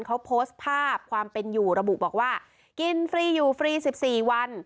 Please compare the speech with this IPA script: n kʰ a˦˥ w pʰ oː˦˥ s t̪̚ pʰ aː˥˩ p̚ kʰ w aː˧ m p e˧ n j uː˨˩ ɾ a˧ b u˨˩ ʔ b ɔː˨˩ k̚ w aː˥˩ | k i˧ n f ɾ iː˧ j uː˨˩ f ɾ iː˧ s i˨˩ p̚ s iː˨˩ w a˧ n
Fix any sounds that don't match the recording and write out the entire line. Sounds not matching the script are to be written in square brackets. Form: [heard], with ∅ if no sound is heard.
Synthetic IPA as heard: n kʰ a˦˥ w pʰ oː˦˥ s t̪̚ pʰ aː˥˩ p̚ kʰ w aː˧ m p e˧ n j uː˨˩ ɾ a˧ b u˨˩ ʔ b ɔː˨˩ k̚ w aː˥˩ | k i˧ n f ɾ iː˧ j uː˨˩ f ɾ iː˧ s i˨˩ p̚ s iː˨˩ w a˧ n

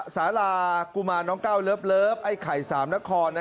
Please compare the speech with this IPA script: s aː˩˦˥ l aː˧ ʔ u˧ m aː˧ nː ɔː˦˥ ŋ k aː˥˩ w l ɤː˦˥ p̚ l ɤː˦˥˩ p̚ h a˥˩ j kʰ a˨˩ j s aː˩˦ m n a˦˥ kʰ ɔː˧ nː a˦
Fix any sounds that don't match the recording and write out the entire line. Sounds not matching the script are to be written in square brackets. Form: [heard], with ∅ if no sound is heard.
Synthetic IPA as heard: s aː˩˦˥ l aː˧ [k] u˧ m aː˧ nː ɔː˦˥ ŋ k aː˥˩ w l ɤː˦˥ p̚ l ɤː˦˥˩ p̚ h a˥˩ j kʰ a˨˩ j s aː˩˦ m n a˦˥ kʰ ɔː˧ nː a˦

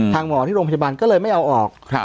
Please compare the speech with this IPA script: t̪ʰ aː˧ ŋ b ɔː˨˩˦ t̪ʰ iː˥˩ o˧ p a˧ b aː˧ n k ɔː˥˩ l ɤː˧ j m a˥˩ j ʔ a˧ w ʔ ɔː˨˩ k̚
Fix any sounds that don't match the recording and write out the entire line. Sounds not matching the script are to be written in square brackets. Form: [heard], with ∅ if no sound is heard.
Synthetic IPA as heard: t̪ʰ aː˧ ŋ [m] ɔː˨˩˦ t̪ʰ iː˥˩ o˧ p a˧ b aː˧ n k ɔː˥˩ l ɤː˧ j m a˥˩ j ʔ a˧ w ʔ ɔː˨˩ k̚

